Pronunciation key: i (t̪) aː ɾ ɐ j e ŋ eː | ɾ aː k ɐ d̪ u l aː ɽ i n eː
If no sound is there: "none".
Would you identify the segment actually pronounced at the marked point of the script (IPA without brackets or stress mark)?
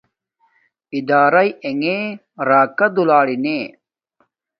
d̪